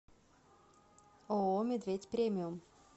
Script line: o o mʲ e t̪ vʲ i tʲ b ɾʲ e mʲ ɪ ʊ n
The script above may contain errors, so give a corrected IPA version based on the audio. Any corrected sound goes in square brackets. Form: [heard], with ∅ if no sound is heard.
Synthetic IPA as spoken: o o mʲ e [d̪] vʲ [e] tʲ [p] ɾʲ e mʲ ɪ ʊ [m]